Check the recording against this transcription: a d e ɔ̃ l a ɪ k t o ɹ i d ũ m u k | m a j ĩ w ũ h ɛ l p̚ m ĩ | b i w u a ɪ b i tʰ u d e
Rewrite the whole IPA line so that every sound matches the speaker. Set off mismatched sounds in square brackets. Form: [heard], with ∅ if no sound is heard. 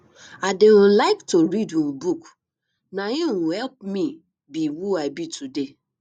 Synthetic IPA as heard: a d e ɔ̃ l a ɪ k t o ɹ i d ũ [b] u k | [n] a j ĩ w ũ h ɛ l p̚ m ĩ | b i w u a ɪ b i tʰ u d e